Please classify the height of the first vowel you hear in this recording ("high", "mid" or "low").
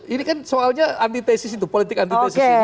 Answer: high